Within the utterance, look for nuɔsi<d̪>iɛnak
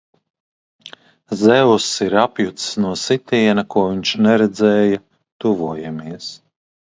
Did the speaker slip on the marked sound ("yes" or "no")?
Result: yes